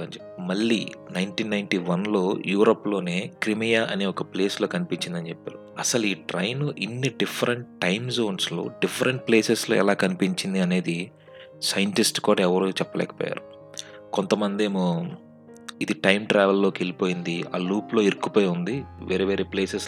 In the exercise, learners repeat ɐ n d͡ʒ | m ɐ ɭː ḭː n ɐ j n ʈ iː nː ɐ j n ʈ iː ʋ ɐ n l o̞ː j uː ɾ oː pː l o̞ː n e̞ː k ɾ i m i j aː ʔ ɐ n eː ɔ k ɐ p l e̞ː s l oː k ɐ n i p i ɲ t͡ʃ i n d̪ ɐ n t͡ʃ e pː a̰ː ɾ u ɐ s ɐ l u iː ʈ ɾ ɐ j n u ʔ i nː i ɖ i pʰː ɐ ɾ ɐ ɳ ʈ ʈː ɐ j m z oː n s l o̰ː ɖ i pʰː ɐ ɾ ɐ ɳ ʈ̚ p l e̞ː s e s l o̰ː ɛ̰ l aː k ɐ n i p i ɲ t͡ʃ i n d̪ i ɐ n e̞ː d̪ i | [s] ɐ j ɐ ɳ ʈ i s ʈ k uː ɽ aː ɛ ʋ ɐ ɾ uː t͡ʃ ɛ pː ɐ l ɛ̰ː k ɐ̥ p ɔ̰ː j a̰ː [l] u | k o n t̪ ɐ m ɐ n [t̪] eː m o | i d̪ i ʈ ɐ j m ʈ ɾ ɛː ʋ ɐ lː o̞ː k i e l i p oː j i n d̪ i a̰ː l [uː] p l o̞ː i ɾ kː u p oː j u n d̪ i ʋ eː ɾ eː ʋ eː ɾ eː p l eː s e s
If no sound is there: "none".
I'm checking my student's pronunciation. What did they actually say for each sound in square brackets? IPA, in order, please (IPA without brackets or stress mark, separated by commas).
s, ɾ, d̪, uː